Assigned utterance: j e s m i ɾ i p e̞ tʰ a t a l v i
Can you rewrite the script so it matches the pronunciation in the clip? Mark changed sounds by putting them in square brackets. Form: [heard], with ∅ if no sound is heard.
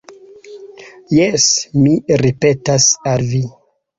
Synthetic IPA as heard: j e s m i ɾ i p e̞ [t] a [s] a l v i